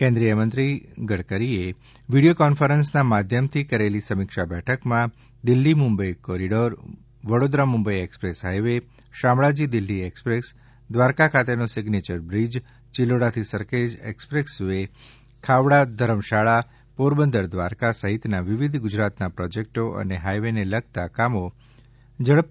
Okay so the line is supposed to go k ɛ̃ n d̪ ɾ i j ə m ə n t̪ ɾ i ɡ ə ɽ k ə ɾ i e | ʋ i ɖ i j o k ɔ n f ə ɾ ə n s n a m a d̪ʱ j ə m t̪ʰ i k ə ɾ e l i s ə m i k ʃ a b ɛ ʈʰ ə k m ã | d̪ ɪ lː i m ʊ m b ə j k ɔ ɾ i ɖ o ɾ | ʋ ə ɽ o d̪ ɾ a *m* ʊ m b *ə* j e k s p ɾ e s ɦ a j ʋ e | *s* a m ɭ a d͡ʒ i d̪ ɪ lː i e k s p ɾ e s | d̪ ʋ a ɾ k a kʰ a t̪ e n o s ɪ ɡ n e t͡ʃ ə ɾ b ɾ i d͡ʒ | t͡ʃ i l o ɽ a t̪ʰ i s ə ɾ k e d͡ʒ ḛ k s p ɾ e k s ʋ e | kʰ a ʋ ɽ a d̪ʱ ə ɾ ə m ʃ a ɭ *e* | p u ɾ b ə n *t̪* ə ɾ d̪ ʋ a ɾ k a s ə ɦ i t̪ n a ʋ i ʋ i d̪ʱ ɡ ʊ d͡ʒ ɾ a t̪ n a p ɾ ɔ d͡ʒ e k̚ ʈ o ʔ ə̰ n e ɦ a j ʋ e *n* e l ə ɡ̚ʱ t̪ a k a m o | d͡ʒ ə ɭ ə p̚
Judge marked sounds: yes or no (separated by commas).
yes, yes, no, no, no, yes